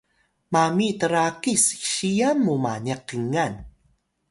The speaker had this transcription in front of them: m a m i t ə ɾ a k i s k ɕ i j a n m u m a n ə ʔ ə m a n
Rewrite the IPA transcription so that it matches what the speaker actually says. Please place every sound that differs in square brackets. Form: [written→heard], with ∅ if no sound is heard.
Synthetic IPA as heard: m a m i t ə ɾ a k i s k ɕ i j a n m u m a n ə [ʔ→q] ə [m→ŋ] a n